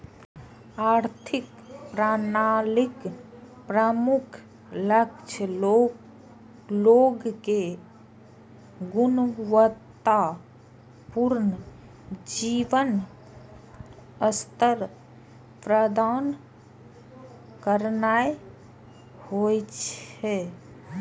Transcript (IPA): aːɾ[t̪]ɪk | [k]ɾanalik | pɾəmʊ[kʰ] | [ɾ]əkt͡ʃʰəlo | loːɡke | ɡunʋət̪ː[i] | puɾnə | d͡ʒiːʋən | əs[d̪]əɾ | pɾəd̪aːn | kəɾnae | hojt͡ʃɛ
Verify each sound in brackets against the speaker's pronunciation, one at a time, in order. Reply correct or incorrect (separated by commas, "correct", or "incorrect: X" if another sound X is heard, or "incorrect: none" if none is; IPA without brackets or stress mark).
incorrect: t̪ʰ, incorrect: p, correct, incorrect: l, incorrect: a, incorrect: t̪